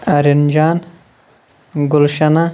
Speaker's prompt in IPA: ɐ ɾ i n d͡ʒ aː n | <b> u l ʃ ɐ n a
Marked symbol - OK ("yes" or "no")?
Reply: no